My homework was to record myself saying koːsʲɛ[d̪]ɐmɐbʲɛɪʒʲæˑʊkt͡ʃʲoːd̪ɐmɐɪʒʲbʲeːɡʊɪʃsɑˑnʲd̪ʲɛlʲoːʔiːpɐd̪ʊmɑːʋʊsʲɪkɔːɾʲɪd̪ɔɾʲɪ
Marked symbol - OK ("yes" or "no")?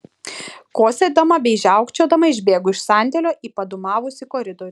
yes